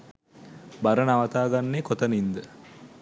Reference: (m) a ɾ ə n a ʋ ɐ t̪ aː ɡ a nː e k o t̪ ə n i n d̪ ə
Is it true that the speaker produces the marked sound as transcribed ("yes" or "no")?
no